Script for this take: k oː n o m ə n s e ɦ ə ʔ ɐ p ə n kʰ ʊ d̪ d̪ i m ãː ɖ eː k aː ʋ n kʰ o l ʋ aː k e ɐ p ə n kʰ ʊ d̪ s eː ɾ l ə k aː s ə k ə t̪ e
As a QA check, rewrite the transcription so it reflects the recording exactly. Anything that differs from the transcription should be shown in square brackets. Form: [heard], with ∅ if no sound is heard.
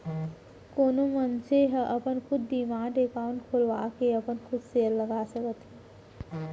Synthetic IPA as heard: k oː n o m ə n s e ɦ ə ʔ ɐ p ə n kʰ ʊ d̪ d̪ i m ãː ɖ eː k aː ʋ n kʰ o l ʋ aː k e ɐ p ə n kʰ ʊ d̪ s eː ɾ l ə [ɡ] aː s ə k ə t̪ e